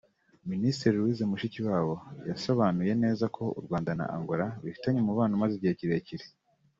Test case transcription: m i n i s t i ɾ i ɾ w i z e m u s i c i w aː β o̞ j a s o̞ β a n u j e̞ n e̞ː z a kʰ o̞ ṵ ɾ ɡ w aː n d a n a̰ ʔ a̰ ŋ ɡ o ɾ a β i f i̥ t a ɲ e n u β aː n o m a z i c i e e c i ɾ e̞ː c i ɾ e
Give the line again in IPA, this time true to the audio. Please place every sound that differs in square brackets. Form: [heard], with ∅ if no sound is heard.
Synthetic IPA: m i n i s t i ɾ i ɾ w i z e m u [ʃ] i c i w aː β o̞ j a s o̞ β a n u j e̞ n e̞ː z a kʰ o̞ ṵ ɾ ɡ w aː n d a n a̰ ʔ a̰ ŋ ɡ o ɾ a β i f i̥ t a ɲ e [m] u β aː n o m a z i [ɟ] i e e c i ɾ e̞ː c i ɾ e